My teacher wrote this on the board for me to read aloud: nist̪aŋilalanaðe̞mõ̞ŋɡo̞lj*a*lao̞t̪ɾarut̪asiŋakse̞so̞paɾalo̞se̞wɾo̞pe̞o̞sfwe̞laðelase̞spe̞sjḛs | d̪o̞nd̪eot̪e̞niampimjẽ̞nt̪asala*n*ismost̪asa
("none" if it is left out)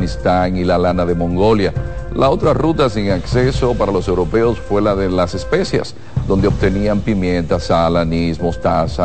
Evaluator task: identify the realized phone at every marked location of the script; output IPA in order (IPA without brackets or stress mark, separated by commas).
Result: a, n